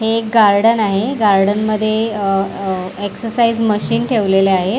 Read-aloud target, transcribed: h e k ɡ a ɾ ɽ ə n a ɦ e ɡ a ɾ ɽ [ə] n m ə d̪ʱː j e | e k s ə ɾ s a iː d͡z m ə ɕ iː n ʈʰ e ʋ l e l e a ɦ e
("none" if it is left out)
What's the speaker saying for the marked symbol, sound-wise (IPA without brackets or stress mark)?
ə